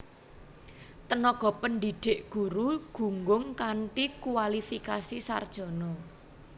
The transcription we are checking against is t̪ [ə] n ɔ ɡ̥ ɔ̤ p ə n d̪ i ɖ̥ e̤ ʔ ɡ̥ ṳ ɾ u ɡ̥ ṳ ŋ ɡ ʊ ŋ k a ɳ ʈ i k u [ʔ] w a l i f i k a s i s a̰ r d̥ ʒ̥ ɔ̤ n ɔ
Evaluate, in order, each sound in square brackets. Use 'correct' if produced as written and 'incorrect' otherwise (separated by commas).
correct, incorrect